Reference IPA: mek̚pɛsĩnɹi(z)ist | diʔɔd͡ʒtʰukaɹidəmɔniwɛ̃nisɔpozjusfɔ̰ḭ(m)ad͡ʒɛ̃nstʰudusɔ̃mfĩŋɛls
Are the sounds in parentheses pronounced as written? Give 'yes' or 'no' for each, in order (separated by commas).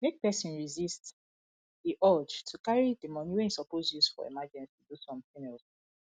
yes, yes